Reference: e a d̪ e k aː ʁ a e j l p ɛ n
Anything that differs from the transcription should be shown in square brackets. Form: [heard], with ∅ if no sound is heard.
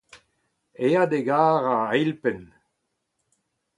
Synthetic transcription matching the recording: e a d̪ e [ɡ] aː ʁ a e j l p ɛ n